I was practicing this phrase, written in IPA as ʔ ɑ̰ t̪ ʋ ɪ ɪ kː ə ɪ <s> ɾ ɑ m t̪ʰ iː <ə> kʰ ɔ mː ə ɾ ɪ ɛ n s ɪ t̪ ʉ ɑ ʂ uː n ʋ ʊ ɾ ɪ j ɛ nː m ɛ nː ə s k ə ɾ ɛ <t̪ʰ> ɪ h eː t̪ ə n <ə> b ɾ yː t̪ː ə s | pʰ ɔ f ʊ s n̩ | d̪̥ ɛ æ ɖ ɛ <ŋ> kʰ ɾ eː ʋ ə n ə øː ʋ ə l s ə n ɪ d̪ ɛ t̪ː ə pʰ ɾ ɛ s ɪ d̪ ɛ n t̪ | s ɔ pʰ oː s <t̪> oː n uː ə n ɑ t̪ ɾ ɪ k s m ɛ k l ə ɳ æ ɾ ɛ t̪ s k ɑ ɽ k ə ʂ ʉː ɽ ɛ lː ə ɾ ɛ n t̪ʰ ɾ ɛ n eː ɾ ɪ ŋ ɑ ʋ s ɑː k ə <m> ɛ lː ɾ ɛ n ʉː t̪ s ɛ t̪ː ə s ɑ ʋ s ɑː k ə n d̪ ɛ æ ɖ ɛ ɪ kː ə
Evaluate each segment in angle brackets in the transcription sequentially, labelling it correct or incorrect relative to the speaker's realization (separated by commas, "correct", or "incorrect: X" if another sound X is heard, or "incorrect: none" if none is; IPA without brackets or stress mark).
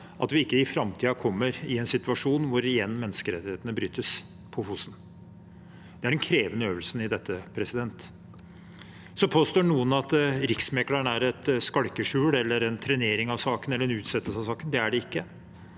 incorrect: f, incorrect: ɑ, incorrect: t̪, correct, incorrect: n, correct, incorrect: n